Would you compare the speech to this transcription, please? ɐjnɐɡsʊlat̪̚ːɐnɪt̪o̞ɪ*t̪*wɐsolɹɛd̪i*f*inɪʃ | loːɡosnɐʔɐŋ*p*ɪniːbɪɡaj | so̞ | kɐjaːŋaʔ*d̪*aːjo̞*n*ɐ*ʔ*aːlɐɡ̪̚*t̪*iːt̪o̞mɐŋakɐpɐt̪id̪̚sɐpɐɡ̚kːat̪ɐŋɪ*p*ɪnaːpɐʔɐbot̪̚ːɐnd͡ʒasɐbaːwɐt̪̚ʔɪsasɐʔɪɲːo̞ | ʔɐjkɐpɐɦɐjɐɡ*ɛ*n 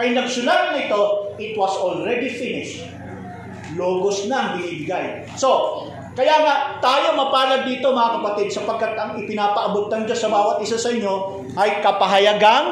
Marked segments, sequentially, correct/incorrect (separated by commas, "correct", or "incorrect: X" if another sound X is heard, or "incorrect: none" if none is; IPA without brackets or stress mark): correct, correct, incorrect: b, incorrect: t̪, incorrect: m, incorrect: p, incorrect: d̪, correct, incorrect: a